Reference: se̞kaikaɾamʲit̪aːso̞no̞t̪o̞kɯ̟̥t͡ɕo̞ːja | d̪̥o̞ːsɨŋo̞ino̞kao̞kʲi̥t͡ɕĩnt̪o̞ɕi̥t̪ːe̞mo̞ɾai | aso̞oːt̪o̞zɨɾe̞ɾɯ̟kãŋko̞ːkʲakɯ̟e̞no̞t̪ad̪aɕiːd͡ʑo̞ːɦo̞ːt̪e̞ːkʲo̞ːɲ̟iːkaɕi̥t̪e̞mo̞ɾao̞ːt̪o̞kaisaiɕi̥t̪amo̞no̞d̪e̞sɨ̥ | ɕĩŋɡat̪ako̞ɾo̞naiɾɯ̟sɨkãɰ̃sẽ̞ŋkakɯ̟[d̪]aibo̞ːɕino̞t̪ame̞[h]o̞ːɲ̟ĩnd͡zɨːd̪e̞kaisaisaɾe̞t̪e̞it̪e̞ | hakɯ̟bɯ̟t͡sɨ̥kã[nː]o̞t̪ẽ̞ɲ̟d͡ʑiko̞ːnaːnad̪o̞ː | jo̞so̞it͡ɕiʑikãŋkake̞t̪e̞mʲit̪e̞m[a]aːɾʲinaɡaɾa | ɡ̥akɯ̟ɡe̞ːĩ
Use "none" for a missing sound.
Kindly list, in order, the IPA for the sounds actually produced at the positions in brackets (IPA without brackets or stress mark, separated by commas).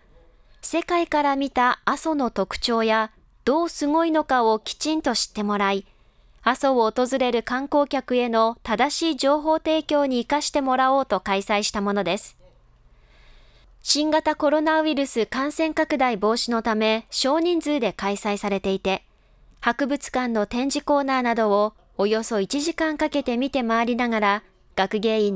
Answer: d̪, ɕ, nː, a